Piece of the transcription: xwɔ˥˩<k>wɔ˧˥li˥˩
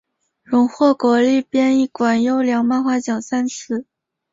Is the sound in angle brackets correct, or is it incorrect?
correct